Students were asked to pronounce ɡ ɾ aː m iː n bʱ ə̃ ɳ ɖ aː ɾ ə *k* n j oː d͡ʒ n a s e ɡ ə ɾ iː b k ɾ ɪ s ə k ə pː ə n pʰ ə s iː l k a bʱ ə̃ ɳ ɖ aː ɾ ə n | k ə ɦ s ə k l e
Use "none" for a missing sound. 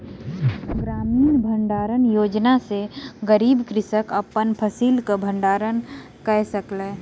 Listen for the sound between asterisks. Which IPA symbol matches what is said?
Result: none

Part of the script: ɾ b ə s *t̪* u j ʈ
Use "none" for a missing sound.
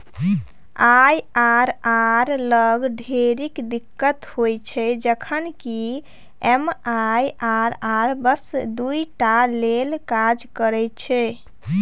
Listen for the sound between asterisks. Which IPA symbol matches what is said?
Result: d̪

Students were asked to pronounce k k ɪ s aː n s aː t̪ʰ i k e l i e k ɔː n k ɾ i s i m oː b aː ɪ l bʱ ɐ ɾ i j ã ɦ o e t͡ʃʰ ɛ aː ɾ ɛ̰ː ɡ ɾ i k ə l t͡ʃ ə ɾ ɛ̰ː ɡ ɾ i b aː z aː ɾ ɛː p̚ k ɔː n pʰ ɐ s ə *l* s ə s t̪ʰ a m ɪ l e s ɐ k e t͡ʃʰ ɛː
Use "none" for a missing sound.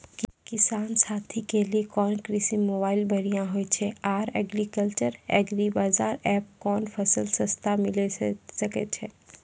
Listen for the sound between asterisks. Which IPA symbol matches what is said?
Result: l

